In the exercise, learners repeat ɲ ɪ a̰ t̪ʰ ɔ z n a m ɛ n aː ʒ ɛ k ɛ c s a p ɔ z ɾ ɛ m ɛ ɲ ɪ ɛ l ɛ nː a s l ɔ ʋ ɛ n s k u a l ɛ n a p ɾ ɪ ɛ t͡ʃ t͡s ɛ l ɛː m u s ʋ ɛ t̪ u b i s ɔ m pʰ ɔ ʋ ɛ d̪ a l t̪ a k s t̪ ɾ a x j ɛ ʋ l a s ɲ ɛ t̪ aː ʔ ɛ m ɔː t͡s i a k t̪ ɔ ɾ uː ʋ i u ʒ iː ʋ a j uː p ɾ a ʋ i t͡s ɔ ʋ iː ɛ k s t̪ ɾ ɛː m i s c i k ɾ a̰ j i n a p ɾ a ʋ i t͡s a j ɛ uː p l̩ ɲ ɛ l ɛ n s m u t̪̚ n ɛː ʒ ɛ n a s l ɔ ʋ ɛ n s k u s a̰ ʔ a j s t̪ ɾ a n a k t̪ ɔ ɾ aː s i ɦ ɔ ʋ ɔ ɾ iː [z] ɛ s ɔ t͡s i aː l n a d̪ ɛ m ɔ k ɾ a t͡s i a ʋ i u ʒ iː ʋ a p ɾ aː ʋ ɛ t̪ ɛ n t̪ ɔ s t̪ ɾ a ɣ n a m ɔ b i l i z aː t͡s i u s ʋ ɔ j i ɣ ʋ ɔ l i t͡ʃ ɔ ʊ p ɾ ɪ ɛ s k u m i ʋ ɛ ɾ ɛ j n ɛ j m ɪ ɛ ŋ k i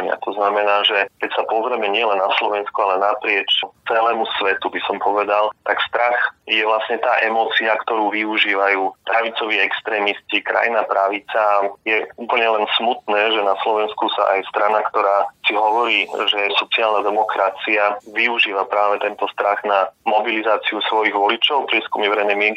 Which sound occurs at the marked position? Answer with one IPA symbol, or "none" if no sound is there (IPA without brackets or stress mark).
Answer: ʒ